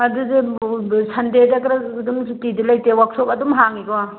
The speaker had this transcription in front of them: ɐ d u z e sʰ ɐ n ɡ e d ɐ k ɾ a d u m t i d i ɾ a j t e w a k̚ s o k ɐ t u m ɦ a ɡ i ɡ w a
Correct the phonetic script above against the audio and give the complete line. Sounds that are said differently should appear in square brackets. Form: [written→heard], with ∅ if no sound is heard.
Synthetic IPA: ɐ d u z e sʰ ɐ n [ɡ→d] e d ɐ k ɾ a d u m t i d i [ɾ→l] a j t e w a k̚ s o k ɐ [t→d] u m ɦ a [ɡ→ŋ] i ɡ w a

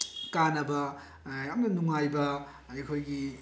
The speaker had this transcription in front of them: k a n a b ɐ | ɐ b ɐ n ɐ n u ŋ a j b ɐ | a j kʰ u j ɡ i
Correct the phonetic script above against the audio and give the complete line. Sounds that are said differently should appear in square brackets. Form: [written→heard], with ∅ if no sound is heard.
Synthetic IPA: k a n [a→ɐ] b ɐ | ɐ [b→m] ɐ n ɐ n u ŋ a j b ɐ | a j kʰ [u→o] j ɡ i

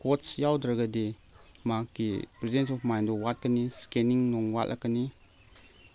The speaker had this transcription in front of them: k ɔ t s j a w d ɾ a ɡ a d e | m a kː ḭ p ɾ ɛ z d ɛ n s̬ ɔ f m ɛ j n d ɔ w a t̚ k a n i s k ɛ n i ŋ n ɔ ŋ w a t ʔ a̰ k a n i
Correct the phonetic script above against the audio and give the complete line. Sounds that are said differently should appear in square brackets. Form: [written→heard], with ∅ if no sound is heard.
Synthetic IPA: k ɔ t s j a w d ɾ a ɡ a d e | m a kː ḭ p ɾ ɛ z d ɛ n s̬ ɔ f m [ɛ→a] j n d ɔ w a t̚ k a n i s k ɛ n i ŋ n ɔ ŋ w a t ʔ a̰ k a n i

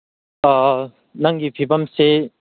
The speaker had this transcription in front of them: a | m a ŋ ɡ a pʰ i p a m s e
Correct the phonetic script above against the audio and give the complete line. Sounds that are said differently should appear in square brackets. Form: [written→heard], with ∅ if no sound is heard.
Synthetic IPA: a | [m→n] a ŋ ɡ [a→i] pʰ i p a m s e

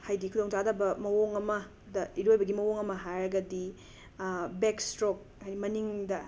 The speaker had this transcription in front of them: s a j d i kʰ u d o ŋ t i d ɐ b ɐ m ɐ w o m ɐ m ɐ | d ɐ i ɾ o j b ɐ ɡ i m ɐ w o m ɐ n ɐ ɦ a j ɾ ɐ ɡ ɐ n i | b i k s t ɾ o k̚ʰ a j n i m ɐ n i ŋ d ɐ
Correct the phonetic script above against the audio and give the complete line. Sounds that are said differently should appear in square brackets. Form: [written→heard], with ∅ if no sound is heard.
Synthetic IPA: [s→h] a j d i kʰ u d o ŋ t [i→a] d ɐ b ɐ m ɐ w o [m→ŋ] ɐ m ɐ | d ɐ i ɾ o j b ɐ ɡ i m ɐ w o [m→ŋ] ɐ [n→m] ɐ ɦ a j ɾ ɐ ɡ ɐ [n→d] i | b [i→e] k s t ɾ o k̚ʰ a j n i m ɐ n i ŋ d ɐ

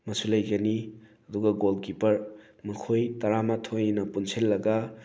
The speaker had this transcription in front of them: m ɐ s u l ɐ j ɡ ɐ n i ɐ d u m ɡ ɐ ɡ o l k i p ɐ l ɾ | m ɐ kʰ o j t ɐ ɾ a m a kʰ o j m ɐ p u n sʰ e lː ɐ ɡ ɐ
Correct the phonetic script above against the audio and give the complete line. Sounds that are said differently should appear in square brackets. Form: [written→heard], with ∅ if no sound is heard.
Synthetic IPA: m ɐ s u l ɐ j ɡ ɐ n i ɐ d u [m→∅] ɡ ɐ ɡ o l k i p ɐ [l→∅] ɾ | m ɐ kʰ o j t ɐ ɾ a m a [kʰ→tʰ] o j [m→n] ɐ p u n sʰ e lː ɐ ɡ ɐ

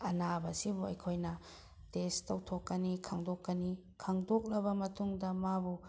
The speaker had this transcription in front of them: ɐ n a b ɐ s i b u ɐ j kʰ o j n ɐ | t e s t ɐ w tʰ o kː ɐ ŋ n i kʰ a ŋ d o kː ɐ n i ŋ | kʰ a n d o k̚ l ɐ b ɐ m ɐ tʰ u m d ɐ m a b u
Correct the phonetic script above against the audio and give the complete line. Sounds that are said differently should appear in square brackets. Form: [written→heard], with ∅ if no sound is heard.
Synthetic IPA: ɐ n a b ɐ s i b u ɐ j kʰ o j n ɐ | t e s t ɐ w tʰ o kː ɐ [ŋ→∅] n i kʰ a ŋ d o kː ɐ n i [ŋ→∅] | kʰ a [n→ŋ] d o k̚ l ɐ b ɐ m ɐ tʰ u [m→ŋ] d ɐ m a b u

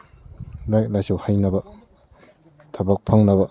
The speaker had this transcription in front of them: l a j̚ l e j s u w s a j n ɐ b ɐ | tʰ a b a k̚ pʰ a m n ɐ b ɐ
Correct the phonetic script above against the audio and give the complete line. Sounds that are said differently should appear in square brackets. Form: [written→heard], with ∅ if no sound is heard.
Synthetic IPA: l a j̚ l [e→a] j s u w [s→h] a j n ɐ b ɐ | tʰ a b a k̚ pʰ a [m→ŋ] n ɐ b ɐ

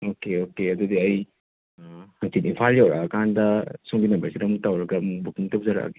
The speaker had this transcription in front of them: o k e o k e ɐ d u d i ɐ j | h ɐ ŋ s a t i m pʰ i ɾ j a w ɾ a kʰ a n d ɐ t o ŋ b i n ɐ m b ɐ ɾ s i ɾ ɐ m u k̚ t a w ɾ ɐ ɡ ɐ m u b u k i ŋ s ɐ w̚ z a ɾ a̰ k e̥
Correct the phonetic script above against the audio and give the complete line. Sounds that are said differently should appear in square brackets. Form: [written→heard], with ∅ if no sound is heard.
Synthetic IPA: o k e o k e ɐ d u d i ɐ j | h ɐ ŋ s [a→i] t i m pʰ [i→a] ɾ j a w ɾ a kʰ a n d ɐ [t→s] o ŋ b i n ɐ m b ɐ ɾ s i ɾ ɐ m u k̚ t a w ɾ ɐ ɡ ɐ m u b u k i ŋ [s→t] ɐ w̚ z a ɾ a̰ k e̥

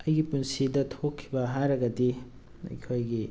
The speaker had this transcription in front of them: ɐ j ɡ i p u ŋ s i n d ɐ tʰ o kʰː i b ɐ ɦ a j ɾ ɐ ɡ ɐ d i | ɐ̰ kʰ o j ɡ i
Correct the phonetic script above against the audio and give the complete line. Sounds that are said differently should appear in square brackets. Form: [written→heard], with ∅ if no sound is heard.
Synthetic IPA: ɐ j ɡ i p u [ŋ→n] s i [n→∅] d ɐ tʰ o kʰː i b ɐ ɦ a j ɾ ɐ ɡ ɐ d i | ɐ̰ kʰ o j ɡ i

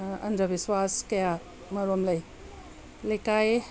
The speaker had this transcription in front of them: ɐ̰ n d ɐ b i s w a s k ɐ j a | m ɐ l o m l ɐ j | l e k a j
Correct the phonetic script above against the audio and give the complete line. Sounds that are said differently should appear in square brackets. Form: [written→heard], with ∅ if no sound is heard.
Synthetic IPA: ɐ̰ n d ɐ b i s w a s k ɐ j a | m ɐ [l→ɾ] o m l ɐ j | l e k a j

